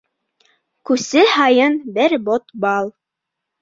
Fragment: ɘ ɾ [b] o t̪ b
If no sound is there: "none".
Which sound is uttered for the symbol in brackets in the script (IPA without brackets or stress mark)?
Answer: b